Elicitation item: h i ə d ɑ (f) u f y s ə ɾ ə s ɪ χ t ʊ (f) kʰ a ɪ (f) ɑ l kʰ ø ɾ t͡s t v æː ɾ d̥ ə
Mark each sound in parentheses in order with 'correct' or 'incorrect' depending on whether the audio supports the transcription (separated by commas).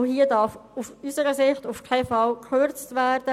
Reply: correct, correct, correct